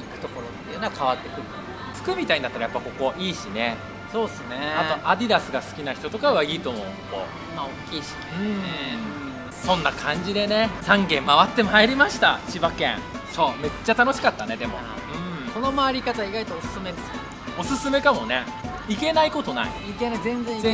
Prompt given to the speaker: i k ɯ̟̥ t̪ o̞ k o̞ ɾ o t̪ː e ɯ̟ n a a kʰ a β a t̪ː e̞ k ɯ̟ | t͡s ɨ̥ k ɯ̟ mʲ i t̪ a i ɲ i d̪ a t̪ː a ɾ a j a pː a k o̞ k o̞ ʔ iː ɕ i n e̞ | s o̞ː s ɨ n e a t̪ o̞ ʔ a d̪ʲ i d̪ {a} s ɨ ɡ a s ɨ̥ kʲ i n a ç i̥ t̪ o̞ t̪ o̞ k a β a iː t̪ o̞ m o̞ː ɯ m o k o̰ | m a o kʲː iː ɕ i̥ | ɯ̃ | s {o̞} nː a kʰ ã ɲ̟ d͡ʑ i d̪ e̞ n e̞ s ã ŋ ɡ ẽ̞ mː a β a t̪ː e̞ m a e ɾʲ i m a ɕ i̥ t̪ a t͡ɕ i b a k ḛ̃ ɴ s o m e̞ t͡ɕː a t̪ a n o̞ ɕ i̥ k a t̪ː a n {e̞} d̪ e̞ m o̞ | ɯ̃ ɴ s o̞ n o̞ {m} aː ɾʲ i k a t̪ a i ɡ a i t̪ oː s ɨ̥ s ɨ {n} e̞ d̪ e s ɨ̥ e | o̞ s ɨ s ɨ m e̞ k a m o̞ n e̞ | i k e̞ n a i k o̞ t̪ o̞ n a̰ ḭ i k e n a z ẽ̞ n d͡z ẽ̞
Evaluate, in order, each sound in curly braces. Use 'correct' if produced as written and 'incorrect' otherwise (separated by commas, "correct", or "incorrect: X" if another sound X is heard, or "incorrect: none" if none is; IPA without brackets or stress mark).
correct, incorrect: õ̞, correct, correct, incorrect: m